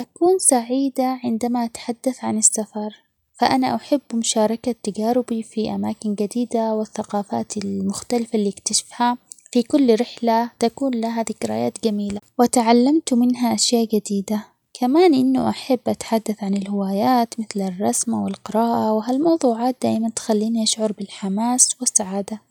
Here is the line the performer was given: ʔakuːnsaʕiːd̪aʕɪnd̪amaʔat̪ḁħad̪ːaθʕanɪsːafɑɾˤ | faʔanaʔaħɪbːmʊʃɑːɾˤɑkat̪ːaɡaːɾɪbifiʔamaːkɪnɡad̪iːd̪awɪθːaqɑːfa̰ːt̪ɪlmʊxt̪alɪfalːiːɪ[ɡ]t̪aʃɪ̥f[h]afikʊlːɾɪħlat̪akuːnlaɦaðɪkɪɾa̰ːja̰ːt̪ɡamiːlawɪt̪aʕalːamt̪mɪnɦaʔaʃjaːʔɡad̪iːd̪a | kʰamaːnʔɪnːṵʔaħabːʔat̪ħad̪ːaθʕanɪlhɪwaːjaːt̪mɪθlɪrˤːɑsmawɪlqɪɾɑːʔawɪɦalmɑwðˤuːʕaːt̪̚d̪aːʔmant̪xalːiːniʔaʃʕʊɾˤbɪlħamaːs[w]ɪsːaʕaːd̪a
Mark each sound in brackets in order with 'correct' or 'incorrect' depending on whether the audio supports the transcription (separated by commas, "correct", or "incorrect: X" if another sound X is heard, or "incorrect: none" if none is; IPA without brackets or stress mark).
incorrect: k, correct, correct